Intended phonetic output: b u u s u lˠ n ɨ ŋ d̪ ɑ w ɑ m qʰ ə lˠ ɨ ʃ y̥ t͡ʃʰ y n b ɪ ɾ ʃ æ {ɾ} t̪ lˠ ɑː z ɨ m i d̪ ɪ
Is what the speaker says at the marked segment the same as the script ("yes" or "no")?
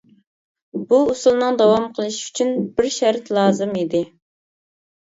yes